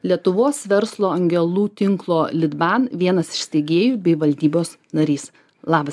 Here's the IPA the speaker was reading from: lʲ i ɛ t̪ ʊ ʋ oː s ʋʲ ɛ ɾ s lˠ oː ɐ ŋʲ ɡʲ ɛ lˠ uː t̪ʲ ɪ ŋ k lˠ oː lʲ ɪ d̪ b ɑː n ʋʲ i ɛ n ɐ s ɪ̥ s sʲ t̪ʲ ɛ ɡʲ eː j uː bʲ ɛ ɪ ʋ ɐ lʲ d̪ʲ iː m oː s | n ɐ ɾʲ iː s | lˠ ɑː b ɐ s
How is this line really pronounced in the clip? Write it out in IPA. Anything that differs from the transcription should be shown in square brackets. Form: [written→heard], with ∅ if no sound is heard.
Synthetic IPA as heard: lʲ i ɛ t̪ ʊ ʋ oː s ʋʲ ɛ ɾ s lˠ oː ɐ ŋʲ ɡʲ ɛ lˠ uː t̪ʲ ɪ ŋ k lˠ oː lʲ ɪ d̪ b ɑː n ʋʲ i ɛ n ɐ s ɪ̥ [s→ʃ] sʲ t̪ʲ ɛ ɡʲ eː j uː bʲ ɛ ɪ ʋ ɐ lʲ d̪ʲ iː [m→b] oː s | n ɐ ɾʲ iː s | lˠ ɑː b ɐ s